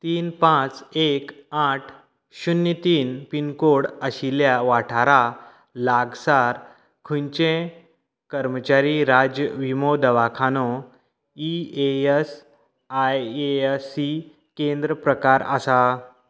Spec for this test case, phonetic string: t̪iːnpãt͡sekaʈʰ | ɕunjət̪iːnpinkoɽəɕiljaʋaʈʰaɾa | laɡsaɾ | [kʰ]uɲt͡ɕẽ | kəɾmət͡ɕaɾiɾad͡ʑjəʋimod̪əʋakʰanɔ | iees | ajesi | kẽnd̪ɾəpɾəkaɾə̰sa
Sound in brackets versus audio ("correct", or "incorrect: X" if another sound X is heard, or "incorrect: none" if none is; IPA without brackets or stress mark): correct